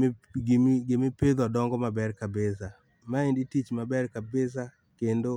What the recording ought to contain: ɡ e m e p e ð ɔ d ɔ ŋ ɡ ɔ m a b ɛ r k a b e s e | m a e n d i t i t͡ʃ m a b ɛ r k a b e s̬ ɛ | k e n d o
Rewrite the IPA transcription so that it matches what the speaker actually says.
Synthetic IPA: ɡ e m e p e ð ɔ d ɔ ŋ ɡ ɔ m a b ɛ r k a b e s a | m a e n d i t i t͡ʃ m a b ɛ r k a b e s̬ a | k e n d o